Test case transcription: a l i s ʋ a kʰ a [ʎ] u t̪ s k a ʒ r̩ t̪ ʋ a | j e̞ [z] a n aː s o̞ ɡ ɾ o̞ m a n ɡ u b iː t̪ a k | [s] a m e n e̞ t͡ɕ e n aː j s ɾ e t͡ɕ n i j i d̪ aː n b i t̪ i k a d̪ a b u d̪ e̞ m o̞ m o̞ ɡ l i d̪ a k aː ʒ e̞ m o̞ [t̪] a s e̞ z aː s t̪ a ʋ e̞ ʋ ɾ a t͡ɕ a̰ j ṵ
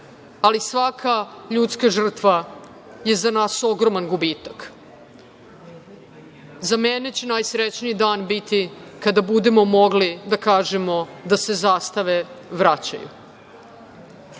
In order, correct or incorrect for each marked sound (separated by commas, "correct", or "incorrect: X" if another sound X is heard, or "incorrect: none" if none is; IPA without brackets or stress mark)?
correct, correct, incorrect: z, incorrect: d̪